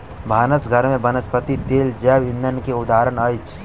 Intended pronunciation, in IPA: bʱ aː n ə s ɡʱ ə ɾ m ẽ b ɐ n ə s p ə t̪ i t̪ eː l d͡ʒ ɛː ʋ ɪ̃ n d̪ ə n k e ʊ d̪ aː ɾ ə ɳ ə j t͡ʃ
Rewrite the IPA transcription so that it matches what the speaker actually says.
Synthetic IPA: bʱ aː n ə s ɡʱ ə ɾ m ẽ b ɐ n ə s p ə t̪ i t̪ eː l d͡ʒ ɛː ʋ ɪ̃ n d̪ ə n k e ʊ d̪ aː ɾ ə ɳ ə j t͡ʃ